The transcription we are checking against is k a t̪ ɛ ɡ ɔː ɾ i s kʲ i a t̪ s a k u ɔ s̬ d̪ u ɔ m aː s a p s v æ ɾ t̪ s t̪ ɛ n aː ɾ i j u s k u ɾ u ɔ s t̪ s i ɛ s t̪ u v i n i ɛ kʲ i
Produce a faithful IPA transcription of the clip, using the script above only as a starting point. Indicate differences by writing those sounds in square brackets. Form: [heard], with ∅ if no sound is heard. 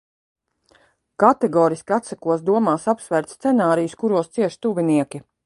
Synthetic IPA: k a t̪ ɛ ɡ ɔː ɾ i s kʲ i a t̪ s a k u ɔ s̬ d̪ u ɔ m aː s a p s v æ ɾ t̪ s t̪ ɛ n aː ɾ i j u s k u ɾ u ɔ s t̪ s i ɛ [ʃ] t̪ u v i n i ɛ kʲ i